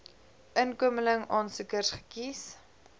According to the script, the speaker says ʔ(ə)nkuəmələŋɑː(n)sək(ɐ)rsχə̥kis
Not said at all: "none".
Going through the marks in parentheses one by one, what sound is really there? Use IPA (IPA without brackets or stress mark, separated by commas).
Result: ə, n, ə